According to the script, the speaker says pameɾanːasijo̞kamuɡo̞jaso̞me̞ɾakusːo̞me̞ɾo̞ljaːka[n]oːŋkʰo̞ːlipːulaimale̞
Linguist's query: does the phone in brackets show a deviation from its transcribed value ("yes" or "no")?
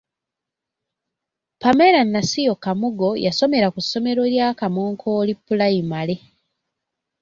yes